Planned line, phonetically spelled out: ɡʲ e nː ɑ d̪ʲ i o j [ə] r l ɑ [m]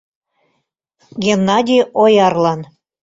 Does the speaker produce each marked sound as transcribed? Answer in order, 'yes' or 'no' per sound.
no, no

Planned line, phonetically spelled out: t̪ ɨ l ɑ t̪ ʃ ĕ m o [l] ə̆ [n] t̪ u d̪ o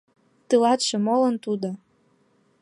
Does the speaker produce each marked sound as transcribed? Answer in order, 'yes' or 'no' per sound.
yes, yes

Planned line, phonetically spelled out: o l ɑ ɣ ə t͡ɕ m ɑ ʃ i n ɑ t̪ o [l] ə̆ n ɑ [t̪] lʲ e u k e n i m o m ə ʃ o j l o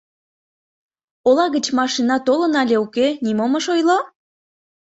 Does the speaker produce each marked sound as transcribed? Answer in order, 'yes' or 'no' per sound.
yes, no

